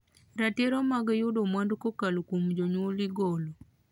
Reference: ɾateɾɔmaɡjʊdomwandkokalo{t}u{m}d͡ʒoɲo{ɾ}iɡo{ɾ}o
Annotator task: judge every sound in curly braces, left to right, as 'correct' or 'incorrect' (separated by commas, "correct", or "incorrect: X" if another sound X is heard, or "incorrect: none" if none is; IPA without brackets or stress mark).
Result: incorrect: k, correct, incorrect: l, incorrect: l